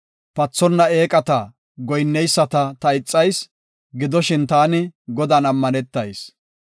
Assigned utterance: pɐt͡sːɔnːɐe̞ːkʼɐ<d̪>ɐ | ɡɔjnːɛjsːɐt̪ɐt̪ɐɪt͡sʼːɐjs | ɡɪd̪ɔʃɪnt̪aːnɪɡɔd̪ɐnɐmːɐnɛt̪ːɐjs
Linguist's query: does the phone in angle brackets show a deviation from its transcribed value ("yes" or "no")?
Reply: yes